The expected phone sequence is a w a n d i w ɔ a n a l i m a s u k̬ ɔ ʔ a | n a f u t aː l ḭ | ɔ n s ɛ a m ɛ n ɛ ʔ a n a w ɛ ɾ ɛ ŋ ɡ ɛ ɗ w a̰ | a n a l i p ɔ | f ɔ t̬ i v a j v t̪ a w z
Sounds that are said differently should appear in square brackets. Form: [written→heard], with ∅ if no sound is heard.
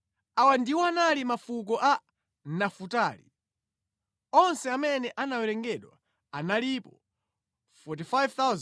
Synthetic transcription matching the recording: a w a n d i w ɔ a n a l i m a [s→f] u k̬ ɔ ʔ a | n a f u t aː l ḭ | ɔ n s ɛ a m ɛ n ɛ ʔ a n a w ɛ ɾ ɛ ŋ ɡ ɛ ɗ w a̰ | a n a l i p ɔ | f ɔ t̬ i [v→f] a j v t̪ a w z